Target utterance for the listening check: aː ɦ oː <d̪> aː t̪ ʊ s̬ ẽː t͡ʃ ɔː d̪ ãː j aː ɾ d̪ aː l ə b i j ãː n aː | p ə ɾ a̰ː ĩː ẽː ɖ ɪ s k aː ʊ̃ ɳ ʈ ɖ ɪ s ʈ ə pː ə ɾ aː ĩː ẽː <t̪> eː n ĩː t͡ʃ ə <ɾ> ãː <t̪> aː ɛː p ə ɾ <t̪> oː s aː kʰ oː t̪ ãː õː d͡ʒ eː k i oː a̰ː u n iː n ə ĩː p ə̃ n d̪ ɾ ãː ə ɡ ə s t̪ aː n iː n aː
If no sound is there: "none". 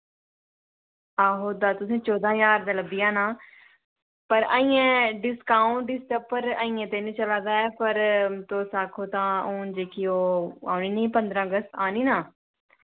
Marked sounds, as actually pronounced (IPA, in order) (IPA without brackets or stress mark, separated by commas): d̪, t̪, l, d̪, t̪